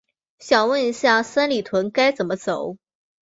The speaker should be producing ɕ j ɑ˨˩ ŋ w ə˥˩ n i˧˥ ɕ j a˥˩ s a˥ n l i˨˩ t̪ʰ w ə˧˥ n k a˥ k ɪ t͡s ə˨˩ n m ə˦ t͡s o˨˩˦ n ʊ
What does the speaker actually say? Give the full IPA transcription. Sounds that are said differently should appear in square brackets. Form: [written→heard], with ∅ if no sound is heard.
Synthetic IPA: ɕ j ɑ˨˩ ŋ w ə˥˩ n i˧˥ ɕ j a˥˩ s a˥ n l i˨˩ t̪ʰ w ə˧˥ n k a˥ [k→∅] ɪ t͡s ə˨˩ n m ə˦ t͡s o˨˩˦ [n→∅] ʊ